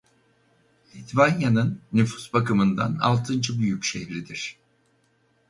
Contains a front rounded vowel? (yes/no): yes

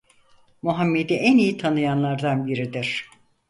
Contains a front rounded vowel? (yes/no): no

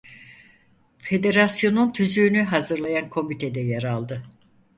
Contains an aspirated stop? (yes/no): yes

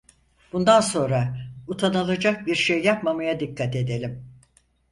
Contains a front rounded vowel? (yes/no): no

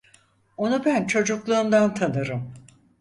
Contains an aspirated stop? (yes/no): yes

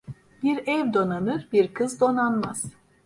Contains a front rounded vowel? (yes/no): no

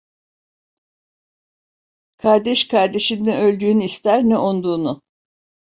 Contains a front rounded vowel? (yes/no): yes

